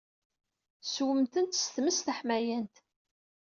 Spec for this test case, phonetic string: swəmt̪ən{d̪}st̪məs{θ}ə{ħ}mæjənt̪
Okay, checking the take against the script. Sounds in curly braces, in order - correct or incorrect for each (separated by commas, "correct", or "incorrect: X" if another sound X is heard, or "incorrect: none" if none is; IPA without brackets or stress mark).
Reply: incorrect: t̪, correct, correct